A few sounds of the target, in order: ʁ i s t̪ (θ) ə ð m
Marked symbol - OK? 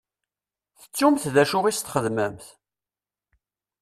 no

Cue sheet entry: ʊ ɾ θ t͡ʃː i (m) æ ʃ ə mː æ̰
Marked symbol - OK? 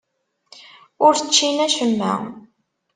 no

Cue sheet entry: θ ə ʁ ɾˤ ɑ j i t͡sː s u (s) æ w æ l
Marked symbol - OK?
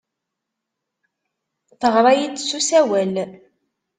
yes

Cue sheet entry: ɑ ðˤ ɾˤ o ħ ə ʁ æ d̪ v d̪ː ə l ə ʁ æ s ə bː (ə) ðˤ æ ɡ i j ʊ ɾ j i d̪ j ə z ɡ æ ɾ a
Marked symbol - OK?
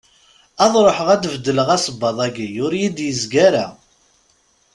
no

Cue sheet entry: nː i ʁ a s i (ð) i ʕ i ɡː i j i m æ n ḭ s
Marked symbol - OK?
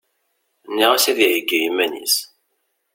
yes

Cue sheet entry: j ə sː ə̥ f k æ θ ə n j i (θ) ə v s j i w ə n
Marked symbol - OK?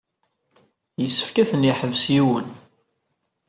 no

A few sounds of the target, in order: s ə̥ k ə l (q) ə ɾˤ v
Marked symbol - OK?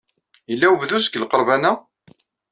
yes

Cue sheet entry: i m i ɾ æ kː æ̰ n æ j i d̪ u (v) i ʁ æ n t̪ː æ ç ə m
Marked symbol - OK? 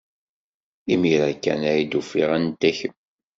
no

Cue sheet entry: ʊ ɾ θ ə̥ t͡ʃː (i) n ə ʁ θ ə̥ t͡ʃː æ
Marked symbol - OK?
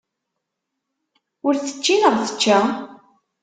yes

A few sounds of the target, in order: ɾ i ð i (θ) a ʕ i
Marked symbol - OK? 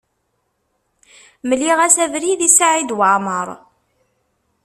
no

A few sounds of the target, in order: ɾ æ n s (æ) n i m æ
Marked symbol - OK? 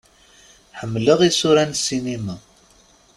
no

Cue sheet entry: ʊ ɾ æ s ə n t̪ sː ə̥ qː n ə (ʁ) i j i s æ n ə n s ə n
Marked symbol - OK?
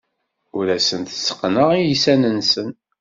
yes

